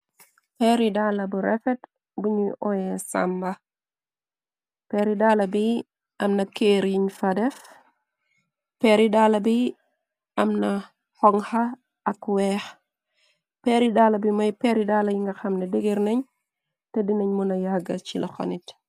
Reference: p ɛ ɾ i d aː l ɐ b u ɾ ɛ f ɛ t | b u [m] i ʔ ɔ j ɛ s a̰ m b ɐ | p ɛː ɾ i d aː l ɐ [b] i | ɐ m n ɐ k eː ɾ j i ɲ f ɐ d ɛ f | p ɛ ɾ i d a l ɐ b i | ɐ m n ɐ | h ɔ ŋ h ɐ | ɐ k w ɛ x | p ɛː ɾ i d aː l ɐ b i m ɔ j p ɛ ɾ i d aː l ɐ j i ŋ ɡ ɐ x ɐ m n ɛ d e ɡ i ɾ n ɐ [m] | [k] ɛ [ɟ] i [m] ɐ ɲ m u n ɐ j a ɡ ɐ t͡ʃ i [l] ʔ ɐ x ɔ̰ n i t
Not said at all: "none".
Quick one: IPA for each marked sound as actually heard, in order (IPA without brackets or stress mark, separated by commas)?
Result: ɲ, b, ɲ, t, d, n, l